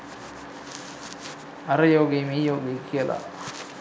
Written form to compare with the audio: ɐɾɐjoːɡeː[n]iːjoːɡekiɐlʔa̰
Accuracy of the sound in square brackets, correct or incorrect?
incorrect